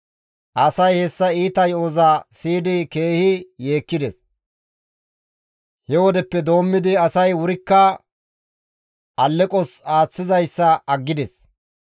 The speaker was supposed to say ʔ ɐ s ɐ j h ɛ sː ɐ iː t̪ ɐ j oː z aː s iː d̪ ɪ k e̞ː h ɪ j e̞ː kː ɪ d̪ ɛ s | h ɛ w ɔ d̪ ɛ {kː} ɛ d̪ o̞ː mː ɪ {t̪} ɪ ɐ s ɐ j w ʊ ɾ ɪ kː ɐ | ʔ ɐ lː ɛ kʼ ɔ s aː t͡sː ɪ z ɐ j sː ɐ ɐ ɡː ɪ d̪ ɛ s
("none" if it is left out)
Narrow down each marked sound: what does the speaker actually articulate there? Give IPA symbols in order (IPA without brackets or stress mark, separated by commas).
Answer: pː, d̪